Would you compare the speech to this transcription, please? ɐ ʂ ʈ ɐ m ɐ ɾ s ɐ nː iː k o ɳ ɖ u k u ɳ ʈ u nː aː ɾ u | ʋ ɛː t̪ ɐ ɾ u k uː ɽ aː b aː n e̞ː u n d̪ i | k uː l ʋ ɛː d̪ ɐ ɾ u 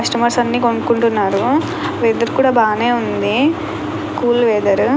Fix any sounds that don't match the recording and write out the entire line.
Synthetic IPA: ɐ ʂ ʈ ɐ m ɐ ɾ s ɐ nː iː k o ɳ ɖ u k u ɳ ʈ u nː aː ɾ u | ʋ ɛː d̪ ɐ ɾ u k uː ɽ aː b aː n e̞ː u n d̪ i | k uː l ʋ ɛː d̪ ɐ ɾ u